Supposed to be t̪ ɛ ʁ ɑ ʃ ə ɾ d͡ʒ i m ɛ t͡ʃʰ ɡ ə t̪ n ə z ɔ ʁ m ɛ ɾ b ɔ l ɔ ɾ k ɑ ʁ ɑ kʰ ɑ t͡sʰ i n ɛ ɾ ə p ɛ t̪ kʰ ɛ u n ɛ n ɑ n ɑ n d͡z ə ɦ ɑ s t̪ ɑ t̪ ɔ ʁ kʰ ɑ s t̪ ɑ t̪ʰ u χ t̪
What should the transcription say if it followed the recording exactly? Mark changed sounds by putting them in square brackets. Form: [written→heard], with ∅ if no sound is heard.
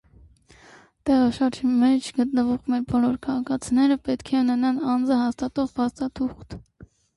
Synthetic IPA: t̪ ɛ ʁ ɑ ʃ [ə→ɑ] ɾ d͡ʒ i m ɛ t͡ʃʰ ɡ ə t̪ n ə [z→v] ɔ ʁ m ɛ ɾ b ɔ l ɔ ɾ [k→kʰ] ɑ ʁ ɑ kʰ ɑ t͡sʰ i n ɛ ɾ ə p ɛ t̪ kʰ ɛ u n ɛ n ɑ n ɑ n d͡z ə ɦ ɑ s t̪ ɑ t̪ ɔ ʁ [kʰ→pʰ] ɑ s t̪ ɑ t̪ʰ u χ t̪